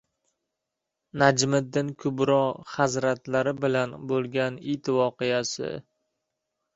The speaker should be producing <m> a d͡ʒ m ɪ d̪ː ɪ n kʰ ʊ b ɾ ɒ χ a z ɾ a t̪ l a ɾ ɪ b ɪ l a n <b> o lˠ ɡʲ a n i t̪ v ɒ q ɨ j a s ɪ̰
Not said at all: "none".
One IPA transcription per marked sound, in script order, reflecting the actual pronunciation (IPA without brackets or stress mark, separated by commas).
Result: n, b